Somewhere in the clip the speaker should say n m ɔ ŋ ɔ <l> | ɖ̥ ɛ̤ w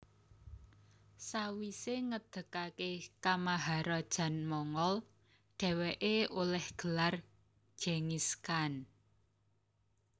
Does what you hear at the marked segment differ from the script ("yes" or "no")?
no